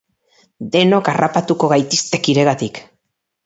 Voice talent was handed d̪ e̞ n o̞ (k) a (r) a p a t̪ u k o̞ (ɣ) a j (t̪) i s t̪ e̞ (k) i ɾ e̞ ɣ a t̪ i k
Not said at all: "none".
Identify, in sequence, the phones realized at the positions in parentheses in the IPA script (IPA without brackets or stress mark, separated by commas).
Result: k, r, ɣ, t̪, k